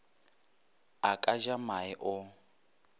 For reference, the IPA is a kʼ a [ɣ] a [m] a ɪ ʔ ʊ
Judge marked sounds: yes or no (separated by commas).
no, yes